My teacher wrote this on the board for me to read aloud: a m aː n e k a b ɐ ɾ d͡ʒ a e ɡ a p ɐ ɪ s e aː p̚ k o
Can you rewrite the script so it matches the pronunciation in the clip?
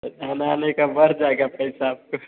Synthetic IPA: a n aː n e k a b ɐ ɾ d͡ʒ a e ɡ a p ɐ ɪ s a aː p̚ k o